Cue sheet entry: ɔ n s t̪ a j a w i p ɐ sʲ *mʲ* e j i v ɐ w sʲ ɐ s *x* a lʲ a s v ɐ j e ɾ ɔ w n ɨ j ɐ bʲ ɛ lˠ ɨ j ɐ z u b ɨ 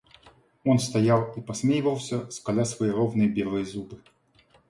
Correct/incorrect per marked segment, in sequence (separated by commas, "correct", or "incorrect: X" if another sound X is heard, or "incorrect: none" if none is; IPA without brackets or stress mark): correct, incorrect: k